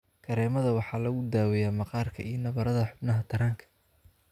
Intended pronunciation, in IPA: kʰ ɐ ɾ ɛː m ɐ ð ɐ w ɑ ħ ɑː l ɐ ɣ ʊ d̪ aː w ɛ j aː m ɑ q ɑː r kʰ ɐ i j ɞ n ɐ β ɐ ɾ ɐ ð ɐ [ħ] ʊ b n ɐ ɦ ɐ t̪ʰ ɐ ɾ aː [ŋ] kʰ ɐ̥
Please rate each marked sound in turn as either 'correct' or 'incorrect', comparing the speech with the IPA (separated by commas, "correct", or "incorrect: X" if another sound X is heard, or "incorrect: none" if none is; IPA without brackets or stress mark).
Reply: correct, correct